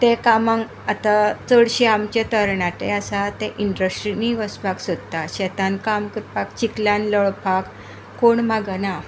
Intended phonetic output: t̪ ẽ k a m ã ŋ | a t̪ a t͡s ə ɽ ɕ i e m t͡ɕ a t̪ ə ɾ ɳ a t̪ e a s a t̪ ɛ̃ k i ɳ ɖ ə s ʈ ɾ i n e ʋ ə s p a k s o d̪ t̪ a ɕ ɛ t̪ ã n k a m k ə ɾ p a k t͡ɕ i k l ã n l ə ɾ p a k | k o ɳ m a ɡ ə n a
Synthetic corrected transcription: t̪ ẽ k a m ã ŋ | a t̪ a t͡s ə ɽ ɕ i a m t͡ɕ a t̪ ə ɾ ɳ a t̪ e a s a t̪ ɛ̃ ʔ i ɳ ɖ ə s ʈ ɾ i n i ʋ ə s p a k s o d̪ t̪ a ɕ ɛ t̪ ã n k a m k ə ɾ p a k t͡ɕ i k l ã n l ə ɭ p a k | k o ɳ m a ɡ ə n a